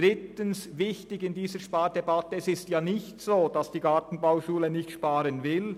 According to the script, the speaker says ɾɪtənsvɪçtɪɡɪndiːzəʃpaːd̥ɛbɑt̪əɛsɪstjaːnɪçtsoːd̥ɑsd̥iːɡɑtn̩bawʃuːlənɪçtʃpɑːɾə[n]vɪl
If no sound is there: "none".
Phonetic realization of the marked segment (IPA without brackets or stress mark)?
n